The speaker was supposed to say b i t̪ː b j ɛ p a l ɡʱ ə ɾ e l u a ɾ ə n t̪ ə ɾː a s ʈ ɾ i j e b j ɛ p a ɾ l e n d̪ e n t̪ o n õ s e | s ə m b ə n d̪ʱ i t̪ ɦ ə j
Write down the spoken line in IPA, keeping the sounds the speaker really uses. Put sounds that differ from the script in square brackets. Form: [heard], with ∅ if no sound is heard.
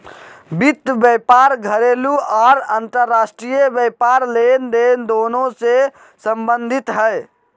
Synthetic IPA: b i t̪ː b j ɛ p a [ɾ] ɡʱ ə ɾ e l u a ɾ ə n t̪ ə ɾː a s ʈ ɾ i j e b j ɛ p a ɾ l e n d̪ e n [d̪] o n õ s e | s ə m b ə n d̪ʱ i t̪ ɦ ə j